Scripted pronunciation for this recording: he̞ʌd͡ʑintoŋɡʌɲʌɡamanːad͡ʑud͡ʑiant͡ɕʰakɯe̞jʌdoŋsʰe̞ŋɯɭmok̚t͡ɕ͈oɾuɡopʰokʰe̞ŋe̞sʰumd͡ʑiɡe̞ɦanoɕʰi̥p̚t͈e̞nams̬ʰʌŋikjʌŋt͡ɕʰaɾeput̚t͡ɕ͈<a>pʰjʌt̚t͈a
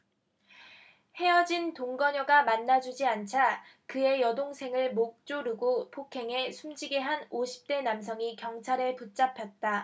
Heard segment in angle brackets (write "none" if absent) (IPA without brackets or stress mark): a